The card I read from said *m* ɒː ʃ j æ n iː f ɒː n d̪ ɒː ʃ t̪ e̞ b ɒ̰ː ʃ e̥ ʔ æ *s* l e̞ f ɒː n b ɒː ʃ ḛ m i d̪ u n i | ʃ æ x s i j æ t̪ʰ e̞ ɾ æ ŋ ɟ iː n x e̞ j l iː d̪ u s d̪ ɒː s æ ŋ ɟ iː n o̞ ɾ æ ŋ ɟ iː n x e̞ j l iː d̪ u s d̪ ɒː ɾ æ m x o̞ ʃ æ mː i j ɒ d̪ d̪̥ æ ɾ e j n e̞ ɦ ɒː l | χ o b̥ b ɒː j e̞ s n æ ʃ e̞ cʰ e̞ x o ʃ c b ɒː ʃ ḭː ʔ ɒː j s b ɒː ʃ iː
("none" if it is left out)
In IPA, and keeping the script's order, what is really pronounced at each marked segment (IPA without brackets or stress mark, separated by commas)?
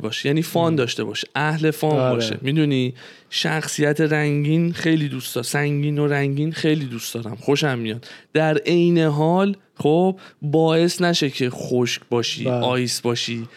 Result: b, h